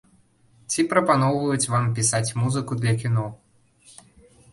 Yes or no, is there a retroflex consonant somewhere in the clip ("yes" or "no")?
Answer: no